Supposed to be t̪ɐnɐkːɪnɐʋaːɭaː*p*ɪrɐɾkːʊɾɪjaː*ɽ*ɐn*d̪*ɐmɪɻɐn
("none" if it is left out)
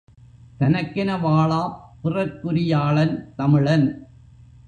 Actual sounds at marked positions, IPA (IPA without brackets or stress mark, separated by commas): p, ɭ, t̪